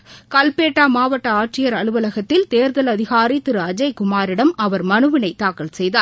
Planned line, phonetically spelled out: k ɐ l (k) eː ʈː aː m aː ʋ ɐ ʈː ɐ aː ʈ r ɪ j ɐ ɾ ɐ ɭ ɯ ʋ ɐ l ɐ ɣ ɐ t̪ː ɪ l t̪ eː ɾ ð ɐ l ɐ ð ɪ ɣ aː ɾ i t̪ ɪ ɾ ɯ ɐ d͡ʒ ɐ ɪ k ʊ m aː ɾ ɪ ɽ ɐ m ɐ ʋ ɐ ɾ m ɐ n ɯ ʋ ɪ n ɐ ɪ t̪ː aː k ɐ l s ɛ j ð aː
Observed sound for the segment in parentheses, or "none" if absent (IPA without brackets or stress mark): p